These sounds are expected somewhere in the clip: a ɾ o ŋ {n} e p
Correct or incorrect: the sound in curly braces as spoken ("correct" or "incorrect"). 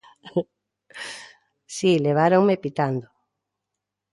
incorrect